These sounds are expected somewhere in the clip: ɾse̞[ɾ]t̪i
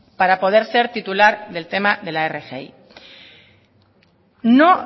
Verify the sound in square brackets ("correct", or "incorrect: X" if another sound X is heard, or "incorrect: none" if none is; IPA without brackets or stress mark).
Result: correct